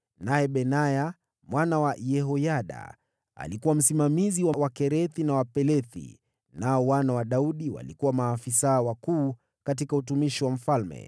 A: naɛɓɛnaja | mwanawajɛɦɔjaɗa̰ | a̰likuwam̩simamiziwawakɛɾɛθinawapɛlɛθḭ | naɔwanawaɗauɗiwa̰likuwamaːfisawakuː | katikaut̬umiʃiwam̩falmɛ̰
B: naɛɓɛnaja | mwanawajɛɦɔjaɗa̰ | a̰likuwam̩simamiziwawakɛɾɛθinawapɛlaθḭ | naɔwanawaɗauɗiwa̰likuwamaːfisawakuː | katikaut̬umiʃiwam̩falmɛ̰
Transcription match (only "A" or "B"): A